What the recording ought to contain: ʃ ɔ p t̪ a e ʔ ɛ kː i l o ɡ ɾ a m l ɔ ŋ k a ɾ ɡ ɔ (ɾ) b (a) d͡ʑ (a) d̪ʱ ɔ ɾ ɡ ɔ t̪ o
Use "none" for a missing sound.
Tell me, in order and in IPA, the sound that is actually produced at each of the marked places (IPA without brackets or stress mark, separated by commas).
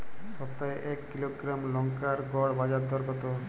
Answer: ɽ, a, a